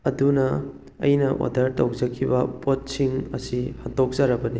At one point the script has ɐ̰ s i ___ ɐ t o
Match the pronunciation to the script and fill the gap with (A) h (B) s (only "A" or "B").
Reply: A